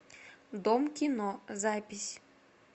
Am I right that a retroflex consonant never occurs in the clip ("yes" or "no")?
yes